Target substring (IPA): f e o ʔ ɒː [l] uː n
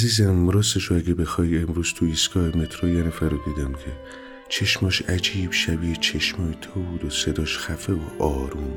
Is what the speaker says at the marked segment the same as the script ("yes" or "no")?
no